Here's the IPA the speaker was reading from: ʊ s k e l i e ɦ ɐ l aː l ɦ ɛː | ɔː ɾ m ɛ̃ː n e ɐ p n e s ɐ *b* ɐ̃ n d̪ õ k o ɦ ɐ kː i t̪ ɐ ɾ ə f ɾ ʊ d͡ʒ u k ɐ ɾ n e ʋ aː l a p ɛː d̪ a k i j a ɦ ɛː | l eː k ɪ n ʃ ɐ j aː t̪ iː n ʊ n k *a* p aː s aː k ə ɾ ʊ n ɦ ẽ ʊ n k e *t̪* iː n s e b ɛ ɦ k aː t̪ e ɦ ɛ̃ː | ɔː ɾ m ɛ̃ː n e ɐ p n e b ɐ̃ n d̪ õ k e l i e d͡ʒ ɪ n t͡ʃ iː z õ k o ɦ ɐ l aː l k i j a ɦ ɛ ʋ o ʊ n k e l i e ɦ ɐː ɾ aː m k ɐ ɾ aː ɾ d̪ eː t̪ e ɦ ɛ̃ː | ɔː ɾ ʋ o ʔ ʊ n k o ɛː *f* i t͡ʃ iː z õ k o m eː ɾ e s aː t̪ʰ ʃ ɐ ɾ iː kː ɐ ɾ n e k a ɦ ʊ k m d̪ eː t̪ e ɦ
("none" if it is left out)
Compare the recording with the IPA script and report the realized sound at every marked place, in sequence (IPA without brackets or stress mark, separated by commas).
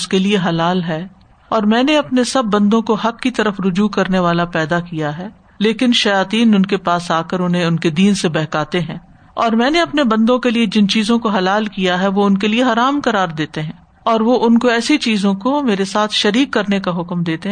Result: bː, e, d̪, s